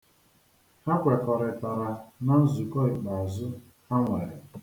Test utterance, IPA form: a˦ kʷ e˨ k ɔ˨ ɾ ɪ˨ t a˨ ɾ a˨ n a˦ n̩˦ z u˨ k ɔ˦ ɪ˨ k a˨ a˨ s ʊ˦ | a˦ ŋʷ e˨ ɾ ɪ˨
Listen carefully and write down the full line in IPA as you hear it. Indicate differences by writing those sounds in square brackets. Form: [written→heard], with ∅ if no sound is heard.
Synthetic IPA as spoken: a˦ kʷ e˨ k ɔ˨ ɾ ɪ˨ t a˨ ɾ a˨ n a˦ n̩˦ z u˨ k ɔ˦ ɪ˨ [k→k͡p] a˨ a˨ [s→z] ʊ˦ | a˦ ŋʷ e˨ ɾ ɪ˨